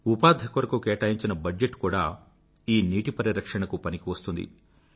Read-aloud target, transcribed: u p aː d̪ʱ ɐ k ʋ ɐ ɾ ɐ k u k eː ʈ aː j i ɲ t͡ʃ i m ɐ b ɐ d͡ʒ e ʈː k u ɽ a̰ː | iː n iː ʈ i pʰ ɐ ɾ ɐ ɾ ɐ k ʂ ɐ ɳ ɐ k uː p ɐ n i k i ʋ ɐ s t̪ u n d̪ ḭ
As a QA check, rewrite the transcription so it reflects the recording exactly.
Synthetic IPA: u p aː d̪ʱ ɐ k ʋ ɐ ɾ ɐ k u k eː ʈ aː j i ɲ t͡ʃ i n ɐ b ɐ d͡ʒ e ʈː k uː ɽ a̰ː | iː n iː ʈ i p ɐ ɾ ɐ ɾ ɐ k ʂ ɐ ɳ ɐ k u p ɐ n i k i ʋ ɐ s t̪ u n d̪ ḭ